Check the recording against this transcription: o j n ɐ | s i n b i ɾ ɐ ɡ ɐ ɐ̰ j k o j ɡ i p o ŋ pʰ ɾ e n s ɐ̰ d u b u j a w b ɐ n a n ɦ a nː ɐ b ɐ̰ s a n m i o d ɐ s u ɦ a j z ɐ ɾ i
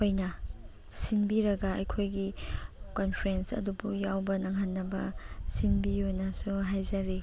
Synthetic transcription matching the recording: o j n ɐ | s i n b i ɾ ɐ ɡ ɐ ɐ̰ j kʰ o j ɡ i k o n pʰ ɾ e n s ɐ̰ d u b u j a w b ɐ n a ŋ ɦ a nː ɐ b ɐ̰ s i n b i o n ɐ s u ɦ a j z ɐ ɾ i